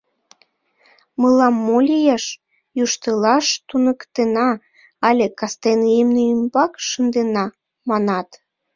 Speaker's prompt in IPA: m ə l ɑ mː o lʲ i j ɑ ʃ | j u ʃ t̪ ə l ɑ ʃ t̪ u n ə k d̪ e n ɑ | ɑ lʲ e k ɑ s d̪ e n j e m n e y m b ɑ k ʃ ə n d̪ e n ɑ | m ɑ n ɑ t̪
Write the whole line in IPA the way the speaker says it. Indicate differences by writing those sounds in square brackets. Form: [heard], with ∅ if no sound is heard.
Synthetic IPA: m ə l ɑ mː o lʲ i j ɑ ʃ | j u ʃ t̪ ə l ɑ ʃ t̪ u n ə k [t̪] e n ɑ | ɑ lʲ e k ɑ s [t̪] e n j e m n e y m b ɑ k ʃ ə n d̪ e n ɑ | m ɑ n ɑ t̪